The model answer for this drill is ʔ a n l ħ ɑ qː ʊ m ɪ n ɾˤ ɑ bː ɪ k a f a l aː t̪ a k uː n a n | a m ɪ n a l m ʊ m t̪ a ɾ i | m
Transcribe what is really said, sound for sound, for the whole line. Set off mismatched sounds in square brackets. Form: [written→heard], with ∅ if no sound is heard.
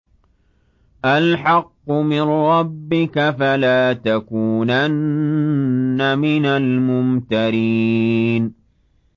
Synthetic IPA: ʔ a [n→∅] l ħ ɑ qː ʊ m ɪ n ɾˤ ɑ bː ɪ k a f a l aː t̪ a k uː n a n | a m ɪ n a l m ʊ m t̪ a ɾ i | [m→n]